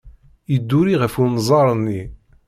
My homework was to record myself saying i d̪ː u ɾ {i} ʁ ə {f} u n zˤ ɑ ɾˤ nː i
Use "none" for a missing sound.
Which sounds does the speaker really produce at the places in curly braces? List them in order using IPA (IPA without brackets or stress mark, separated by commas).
i, f